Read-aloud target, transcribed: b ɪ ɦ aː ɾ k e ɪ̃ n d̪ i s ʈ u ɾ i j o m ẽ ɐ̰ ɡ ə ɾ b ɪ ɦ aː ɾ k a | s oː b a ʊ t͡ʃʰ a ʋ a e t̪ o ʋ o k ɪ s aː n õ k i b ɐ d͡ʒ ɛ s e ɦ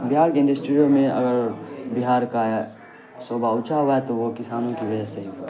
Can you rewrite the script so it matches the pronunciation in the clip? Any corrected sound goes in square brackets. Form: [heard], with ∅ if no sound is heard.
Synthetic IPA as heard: b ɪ ɦ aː ɾ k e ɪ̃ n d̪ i s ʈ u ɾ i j o m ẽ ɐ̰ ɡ ə ɾ b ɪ ɦ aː ɾ k a | s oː b a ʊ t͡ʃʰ a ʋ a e t̪ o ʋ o k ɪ s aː n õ k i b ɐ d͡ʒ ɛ s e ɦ

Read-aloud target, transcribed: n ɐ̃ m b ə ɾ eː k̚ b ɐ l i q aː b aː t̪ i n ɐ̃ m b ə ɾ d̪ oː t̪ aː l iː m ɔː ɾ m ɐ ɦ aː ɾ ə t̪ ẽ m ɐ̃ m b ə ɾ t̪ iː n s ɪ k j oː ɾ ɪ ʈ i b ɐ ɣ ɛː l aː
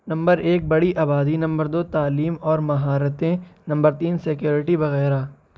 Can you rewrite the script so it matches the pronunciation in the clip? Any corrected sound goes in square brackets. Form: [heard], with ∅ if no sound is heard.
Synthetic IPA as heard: n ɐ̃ m b ə ɾ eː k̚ b ɐ [ɽ] i [ʔ] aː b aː [d̪] i n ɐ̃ m b ə ɾ d̪ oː t̪ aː l iː m ɔː ɾ m ɐ ɦ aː ɾ ə t̪ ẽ [n] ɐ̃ m b ə ɾ t̪ iː n s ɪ k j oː ɾ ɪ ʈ i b ɐ ɣ ɛː [ɾ] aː

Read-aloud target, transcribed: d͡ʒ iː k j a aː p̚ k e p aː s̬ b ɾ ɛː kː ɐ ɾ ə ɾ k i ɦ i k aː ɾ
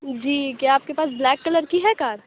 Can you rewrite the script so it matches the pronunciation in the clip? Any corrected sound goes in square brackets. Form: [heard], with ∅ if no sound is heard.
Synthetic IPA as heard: d͡ʒ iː k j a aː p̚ k e p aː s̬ b [l] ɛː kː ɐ [l] ə ɾ k i ɦ [ɛ] k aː ɾ

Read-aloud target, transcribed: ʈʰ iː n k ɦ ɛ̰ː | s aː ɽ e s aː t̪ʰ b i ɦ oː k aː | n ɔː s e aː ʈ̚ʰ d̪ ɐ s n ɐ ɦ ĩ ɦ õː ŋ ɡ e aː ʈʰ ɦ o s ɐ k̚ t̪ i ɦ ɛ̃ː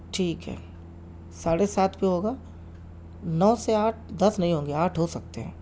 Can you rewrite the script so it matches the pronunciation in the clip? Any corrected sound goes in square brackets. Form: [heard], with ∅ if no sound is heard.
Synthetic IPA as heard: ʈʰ iː [∅] k ɦ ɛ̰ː | s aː ɽ e s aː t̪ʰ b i ɦ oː [ɡ] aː | n ɔː s e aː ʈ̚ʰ d̪ ɐ s n ɐ ɦ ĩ ɦ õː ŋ ɡ e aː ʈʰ ɦ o s ɐ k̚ t̪ [e] ɦ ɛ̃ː

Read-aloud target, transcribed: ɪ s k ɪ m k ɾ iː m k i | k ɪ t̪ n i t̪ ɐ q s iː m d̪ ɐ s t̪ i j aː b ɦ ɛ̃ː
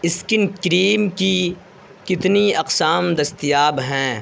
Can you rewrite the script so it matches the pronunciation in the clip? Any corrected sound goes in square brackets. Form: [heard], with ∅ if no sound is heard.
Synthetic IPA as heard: ɪ s k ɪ [n] k ɾ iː m k i | k ɪ t̪ n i [∅] ɐ q s [aː] m d̪ ɐ s t̪ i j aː b ɦ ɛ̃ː

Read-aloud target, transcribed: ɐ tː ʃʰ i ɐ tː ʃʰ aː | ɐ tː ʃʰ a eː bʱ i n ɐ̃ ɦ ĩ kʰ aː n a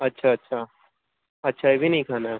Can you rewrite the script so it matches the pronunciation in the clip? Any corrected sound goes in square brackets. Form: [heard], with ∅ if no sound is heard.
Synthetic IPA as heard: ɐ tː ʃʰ [a] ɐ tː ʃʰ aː | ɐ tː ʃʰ a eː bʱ i n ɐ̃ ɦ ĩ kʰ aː n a

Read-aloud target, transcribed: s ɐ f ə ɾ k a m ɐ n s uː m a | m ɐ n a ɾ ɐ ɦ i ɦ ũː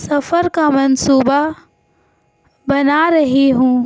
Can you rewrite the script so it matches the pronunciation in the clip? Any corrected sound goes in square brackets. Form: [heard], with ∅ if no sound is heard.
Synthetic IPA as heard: s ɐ f ə ɾ k a m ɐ n s uː [b] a | [b] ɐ n a ɾ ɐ ɦ i ɦ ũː

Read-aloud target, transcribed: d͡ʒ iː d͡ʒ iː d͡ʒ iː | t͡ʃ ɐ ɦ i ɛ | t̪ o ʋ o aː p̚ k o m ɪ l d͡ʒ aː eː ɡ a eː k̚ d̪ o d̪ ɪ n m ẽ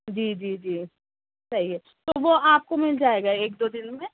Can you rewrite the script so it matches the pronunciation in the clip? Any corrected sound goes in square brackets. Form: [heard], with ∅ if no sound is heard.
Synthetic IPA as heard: d͡ʒ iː d͡ʒ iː d͡ʒ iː | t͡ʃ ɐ ɦ i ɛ | t̪ o ʋ o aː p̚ k o m ɪ l d͡ʒ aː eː ɡ a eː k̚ d̪ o d̪ ɪ n m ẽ

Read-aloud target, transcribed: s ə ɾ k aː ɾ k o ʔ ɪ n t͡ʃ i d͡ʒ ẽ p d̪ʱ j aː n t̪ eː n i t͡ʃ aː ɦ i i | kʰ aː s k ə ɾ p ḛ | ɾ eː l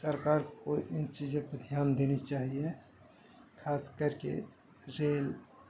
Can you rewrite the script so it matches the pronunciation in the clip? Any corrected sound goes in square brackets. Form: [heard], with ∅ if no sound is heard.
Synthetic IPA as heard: s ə ɾ k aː ɾ k o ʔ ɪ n t͡ʃ i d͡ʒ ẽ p d̪ʱ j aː n [d̪] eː n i t͡ʃ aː ɦ i [e] | kʰ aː s k ə ɾ [k] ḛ | ɾ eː l

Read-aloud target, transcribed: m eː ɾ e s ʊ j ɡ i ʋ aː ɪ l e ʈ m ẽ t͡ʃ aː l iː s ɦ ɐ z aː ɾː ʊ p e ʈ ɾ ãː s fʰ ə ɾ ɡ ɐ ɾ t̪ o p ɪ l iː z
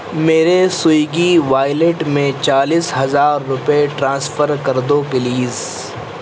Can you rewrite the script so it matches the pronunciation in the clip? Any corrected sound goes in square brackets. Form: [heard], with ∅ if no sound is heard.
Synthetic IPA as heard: m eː ɾ e s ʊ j ɡ i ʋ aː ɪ l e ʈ m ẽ t͡ʃ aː l iː s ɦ ɐ z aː ɾː ʊ p e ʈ ɾ ãː s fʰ ə ɾ [k] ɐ ɾ [d̪] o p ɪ l iː z

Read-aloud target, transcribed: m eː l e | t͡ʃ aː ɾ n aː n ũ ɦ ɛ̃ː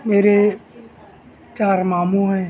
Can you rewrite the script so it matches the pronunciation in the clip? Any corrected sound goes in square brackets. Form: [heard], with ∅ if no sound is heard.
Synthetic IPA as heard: m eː [ɾ] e | t͡ʃ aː ɾ [m] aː [m] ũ ɦ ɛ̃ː

